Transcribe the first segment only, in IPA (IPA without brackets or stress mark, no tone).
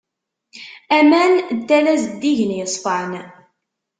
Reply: æ